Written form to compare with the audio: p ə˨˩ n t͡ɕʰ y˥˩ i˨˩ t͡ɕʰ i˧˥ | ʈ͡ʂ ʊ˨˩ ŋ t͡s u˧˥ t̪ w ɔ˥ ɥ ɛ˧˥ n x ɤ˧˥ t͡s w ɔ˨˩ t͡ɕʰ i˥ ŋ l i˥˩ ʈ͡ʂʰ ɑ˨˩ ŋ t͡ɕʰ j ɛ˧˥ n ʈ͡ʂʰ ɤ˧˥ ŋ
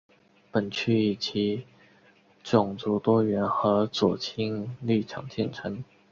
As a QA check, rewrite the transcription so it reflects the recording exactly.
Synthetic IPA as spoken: p ə˨˩ n t͡ɕʰ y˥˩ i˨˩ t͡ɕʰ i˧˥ | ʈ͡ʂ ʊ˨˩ ŋ t͡s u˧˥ t̪ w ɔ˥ ɥ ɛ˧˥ n x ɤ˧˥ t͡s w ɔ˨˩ t͡ɕʰ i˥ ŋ l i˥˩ ʈ͡ʂʰ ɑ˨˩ ŋ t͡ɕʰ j ɛ˥˩ n ʈ͡ʂʰ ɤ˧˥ ŋ

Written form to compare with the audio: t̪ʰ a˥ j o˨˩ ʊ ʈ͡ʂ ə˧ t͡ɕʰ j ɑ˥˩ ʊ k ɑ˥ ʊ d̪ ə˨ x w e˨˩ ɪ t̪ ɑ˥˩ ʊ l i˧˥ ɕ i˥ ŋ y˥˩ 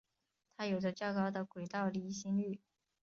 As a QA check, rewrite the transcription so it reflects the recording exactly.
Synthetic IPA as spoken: t̪ʰ a˥ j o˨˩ ʊ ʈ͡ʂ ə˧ t͡ɕ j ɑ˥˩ ʊ k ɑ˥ ʊ d̪ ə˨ k w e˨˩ ɪ t̪ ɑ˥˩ ʊ l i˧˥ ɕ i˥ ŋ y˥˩

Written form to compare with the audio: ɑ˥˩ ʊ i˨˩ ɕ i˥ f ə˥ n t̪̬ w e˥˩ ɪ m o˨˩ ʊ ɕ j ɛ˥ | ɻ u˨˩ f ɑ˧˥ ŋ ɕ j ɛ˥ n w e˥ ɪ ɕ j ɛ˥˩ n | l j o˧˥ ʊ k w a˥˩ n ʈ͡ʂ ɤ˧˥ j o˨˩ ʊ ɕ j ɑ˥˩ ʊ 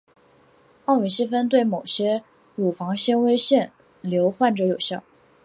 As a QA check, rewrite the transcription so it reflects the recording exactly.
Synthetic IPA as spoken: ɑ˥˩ ʊ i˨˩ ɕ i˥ f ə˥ n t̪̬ w e˥˩ ɪ m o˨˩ ʊ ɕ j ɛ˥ | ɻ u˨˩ f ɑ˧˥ ŋ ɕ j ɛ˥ n w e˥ ɪ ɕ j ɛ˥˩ n | l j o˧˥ ʊ x w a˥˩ n ʈ͡ʂ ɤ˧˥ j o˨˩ ʊ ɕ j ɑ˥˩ ʊ

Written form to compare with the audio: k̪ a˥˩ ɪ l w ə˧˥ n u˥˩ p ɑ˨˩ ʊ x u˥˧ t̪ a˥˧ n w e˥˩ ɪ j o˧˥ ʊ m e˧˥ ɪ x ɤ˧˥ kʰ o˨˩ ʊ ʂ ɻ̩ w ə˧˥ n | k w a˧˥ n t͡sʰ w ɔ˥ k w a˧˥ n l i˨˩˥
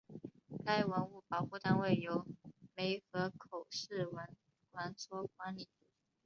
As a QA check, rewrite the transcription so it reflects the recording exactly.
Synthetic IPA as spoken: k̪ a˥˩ ɪ w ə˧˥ n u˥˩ p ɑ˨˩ ʊ x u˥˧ t̪ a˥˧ n w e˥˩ ɪ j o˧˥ ʊ m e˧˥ ɪ x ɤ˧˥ kʰ o˨˩ ʊ ʂ ɻ̩ w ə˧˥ n | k w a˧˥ n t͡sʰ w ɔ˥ k w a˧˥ n l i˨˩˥

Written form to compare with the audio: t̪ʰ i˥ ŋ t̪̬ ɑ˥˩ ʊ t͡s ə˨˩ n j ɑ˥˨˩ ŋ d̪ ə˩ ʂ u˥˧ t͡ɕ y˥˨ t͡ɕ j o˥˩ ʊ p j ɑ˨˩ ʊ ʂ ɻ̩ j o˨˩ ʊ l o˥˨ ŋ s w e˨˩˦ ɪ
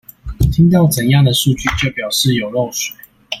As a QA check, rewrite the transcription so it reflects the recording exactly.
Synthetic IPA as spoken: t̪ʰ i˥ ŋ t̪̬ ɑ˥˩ ʊ t͡s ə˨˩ n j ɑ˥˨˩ ŋ d̪ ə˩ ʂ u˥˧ t͡ɕ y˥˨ t͡ɕ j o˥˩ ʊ p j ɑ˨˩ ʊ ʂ ɻ̩ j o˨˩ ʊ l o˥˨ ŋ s w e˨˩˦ ɪ

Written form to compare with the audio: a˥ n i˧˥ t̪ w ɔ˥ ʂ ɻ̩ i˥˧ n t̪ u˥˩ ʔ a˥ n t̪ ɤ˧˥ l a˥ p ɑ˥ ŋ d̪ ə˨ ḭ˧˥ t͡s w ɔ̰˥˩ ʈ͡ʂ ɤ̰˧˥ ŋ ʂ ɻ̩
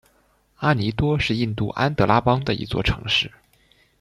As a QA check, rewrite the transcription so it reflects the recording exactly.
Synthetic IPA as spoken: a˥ n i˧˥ t̪ w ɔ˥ ʂ ɻ̩ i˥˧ n t̪ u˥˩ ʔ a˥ n t̪ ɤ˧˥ l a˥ p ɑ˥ ŋ d̪ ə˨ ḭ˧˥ t͡s w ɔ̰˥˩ ʈ͡ʂʰ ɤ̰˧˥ ŋ ʂ ɻ̩

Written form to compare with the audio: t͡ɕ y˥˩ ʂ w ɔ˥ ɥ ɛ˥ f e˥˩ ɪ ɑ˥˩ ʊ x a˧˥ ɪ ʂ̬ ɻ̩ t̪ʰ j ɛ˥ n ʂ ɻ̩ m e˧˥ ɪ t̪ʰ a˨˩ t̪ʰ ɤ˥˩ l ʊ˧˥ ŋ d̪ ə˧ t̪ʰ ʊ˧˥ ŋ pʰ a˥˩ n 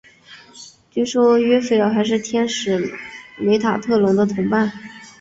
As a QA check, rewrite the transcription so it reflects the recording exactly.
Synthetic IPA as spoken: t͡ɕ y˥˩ ʂ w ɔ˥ ɥ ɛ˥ f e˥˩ ɪ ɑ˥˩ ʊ x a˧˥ ɪ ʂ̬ ɻ̩ t̪ʰ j ɛ˥ n ʂ ɻ̩ m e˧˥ ɪ t̪ʰ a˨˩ t̪ʰ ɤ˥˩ l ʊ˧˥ ŋ d̪ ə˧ t̪ʰ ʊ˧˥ ŋ p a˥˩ n

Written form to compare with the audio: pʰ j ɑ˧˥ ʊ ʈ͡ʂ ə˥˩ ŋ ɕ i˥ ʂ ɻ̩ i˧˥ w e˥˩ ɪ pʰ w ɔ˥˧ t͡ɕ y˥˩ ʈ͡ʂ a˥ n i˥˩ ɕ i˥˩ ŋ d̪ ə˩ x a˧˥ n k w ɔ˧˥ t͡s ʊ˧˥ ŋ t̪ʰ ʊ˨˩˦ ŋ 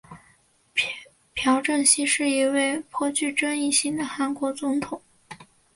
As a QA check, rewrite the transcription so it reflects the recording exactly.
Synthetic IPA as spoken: pʰ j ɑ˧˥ ʊ ʈ͡ʂ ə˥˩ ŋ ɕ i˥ ʂ ɻ̩ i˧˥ w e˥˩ ɪ pʰ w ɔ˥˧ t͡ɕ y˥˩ ʈ͡ʂ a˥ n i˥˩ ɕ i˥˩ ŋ d̪ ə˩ x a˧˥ n k w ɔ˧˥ t͡s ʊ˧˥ ŋ t̪ʰ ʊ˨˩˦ ŋ

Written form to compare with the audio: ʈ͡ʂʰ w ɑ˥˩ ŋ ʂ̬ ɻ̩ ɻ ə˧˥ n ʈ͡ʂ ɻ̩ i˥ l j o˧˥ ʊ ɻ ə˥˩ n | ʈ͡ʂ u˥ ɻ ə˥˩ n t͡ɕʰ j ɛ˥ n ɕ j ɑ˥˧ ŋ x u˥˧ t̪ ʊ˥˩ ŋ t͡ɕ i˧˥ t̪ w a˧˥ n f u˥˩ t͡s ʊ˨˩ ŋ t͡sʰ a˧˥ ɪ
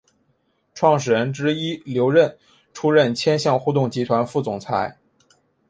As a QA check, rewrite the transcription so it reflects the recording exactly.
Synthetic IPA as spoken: ʈ͡ʂʰ w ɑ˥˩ ŋ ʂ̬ ɻ̩ ɻ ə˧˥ n ʈ͡ʂ ɻ̩ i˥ l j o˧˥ ʊ ɻ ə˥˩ n | ʈ͡ʂʰ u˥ ɻ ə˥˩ n t͡ɕʰ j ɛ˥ n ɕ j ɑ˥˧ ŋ x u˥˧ t̪ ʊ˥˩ ŋ t͡ɕ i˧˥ t̪ʰ w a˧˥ n f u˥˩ t͡s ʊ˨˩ ŋ t͡sʰ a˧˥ ɪ

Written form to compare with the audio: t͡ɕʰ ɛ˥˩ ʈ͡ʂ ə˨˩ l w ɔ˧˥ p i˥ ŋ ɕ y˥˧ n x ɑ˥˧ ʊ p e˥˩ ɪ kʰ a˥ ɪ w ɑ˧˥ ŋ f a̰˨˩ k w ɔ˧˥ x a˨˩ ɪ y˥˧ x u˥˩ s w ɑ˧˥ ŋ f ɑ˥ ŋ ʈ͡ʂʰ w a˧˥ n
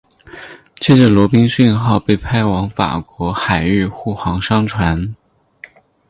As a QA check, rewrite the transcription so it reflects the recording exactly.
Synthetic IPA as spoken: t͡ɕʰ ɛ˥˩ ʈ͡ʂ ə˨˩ l w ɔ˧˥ p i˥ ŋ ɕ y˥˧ n x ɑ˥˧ ʊ p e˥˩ ɪ pʰ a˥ ɪ w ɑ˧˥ ŋ f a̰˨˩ k w ɔ˧˥ x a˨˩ ɪ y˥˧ x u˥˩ x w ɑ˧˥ ŋ ʂ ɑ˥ ŋ ʈ͡ʂʰ w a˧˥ n

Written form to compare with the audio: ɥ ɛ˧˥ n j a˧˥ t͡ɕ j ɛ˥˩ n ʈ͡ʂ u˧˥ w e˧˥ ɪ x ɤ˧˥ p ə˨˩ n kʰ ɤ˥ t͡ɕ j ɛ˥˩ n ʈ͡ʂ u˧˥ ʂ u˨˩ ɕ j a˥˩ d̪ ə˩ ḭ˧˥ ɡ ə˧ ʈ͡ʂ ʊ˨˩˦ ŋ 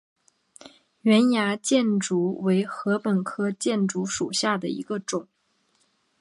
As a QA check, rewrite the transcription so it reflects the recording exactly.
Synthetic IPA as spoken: ɥ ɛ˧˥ n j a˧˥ t͡ɕ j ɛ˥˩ n ʈ͡ʂ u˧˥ w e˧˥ ɪ x ɤ˧˥ p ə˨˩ n kʰ ɤ˥ t͡ɕ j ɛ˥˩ n ʈ͡ʂ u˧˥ ʂ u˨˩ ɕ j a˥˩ d̪ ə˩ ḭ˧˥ ɡ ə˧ ʈ͡ʂ ʊ˨˩˦ ŋ

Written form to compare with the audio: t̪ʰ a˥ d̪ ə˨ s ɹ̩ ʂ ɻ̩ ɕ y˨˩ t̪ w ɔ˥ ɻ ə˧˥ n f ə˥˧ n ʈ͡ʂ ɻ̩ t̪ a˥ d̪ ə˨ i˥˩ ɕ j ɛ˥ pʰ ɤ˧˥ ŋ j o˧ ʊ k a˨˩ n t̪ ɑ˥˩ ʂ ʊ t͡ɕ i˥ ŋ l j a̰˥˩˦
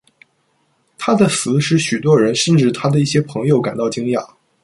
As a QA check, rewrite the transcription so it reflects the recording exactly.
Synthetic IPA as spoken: t̪ʰ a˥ d̪ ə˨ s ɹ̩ ʂ ɻ̩ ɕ y˨˩ t̪ w ɔ˥ ɻ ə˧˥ n ʂ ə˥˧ n ʈ͡ʂ ɻ̩ t̪ʰ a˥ d̪ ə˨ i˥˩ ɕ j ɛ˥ pʰ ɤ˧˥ ŋ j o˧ ʊ k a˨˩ n t̪ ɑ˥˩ ʊ t͡ɕ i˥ ŋ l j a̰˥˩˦

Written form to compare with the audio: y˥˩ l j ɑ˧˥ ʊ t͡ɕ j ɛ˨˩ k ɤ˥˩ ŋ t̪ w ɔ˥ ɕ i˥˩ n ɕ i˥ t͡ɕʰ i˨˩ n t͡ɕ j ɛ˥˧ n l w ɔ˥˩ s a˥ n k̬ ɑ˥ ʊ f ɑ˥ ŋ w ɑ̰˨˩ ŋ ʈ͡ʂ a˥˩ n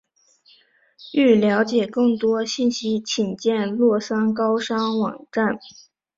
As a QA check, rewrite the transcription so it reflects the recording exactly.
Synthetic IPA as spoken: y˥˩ l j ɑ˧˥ ʊ t͡ɕ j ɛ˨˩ k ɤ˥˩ ŋ t̪ w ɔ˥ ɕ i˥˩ n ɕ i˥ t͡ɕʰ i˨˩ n t͡ɕ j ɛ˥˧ n l w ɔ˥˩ s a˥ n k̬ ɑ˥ ʊ ʂ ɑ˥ ŋ w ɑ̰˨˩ ŋ ʈ͡ʂ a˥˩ n

